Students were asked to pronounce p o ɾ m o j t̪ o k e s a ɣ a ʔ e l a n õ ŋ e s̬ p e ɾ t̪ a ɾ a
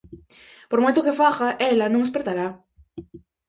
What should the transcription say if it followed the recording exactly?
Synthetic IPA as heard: p o ɾ m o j t̪ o k e f a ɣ a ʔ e l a n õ ŋ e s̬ p e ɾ t̪ a ɾ a